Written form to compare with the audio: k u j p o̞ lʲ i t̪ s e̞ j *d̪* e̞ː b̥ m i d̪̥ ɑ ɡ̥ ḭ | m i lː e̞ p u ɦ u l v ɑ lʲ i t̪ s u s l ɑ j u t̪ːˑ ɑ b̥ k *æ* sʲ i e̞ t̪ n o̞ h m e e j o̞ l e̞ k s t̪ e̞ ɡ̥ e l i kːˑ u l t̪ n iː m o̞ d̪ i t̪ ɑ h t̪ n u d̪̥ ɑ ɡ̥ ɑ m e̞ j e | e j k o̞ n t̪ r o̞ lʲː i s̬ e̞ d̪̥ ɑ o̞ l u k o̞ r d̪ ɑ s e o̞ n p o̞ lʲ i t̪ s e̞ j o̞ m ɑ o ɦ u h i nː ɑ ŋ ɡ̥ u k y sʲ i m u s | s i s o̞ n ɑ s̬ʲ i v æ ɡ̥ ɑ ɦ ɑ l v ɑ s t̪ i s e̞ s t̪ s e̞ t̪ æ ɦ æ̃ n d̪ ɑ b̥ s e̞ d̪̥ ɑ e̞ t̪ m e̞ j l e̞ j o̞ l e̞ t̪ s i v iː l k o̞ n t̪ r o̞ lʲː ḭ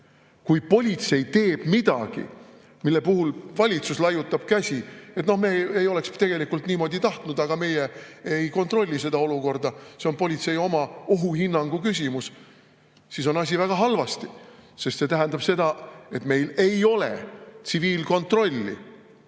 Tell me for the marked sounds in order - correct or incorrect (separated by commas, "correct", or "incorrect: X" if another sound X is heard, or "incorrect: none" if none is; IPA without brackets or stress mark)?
incorrect: t̪, correct